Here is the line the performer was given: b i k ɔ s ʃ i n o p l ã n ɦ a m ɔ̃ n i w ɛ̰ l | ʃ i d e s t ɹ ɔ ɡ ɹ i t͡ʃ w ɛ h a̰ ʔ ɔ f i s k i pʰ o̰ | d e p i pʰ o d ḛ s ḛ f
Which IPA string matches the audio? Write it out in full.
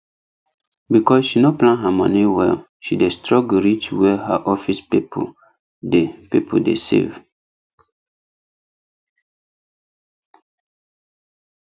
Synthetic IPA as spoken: b i k ɔ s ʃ i n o p l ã n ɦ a m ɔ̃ n i w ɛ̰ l | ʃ i d e s t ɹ ɔ ɡ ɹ i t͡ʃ w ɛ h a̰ ʔ ɔ f i s p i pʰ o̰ | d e p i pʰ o d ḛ s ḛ v